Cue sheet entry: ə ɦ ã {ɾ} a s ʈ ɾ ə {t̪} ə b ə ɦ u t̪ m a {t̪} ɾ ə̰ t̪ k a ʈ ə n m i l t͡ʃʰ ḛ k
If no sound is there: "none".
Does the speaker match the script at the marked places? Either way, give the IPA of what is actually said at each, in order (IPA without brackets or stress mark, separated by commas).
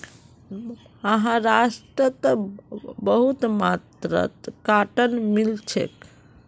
ɾ, t̪, t̪